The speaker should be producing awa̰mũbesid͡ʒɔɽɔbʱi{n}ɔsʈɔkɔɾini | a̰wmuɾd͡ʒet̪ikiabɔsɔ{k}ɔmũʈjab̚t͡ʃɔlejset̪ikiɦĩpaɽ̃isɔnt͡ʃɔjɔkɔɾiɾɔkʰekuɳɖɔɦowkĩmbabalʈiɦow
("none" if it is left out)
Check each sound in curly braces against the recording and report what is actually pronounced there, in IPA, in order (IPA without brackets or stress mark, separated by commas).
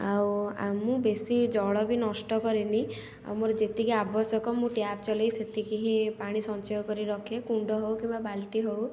n, k